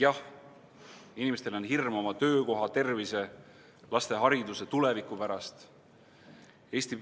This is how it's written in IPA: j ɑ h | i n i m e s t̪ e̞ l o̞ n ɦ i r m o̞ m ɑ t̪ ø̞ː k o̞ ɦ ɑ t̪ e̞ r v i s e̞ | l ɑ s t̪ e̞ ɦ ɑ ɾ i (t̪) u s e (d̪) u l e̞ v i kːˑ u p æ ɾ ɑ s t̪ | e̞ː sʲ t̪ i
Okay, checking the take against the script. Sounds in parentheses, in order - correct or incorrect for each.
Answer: incorrect: d̪, incorrect: t̪

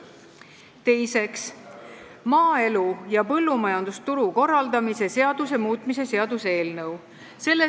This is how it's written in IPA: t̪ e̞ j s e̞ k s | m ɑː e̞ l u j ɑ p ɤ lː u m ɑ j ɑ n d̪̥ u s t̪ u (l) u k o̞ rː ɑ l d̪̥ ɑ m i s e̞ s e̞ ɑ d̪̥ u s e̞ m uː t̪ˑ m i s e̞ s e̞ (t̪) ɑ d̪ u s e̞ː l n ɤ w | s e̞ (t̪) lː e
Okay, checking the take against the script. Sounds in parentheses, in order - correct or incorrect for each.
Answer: incorrect: ɾ, incorrect: none, incorrect: none

